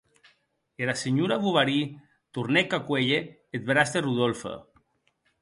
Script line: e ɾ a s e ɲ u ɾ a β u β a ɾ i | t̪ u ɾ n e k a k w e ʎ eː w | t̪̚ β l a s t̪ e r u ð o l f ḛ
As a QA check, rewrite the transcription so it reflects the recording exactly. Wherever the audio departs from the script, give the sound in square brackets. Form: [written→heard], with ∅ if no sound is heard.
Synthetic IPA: e ɾ a s e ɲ u ɾ a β u β a ɾ i | t̪ u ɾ n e k a k w e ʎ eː [w→∅] | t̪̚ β [l→ɾ] a s t̪ e r u ð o l f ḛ